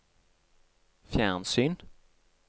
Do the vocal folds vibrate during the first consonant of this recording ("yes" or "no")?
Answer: no